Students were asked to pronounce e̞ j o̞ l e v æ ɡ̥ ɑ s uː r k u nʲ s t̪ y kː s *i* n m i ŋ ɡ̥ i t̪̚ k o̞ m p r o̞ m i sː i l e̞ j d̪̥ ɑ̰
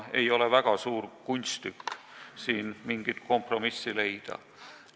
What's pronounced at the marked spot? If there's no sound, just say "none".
iː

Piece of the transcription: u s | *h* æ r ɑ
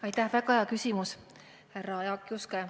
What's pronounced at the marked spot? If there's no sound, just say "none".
h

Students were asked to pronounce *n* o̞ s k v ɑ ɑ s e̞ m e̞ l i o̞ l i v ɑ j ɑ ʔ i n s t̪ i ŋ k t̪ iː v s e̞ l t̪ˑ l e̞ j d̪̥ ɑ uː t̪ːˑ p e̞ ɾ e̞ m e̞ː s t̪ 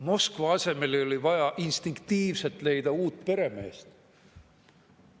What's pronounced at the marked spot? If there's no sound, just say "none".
m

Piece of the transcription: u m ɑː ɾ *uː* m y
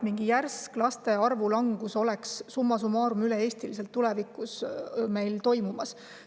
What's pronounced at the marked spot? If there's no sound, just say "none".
u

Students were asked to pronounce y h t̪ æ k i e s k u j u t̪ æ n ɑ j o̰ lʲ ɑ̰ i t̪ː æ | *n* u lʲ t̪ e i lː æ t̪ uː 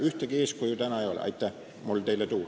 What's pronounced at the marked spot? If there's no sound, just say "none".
m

